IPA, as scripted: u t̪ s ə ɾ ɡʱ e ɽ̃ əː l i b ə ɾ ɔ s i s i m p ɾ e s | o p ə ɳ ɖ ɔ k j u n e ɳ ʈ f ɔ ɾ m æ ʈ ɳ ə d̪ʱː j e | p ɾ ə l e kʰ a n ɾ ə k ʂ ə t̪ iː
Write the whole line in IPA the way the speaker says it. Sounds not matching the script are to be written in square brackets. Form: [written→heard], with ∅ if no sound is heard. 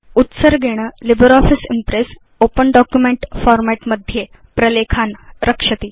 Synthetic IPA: u t̪ s ə ɾ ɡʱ e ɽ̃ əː l i b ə ɾ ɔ [s→f] i s i m p ɾ e s | o p ə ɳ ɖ ɔ k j u [n→m] e ɳ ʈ f ɔ ɾ m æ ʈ [ɳ→m] ə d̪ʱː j e | p ɾ ə l e kʰ a n ɾ ə k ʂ ə t̪ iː